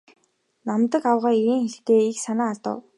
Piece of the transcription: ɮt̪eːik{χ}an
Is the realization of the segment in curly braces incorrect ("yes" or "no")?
yes